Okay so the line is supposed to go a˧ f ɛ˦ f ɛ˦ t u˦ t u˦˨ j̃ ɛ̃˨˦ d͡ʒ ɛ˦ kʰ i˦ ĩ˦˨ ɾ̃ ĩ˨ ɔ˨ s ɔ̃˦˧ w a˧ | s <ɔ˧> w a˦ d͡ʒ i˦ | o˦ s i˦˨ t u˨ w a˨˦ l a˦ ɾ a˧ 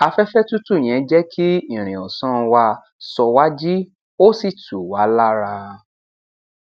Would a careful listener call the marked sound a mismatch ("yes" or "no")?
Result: no